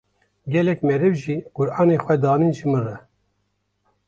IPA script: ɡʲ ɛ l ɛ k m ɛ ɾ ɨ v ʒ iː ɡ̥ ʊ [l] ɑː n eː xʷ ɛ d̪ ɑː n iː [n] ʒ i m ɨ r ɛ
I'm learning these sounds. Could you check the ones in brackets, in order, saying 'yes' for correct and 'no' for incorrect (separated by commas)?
no, yes